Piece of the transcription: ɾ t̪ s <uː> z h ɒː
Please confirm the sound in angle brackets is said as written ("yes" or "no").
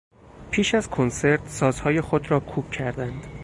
no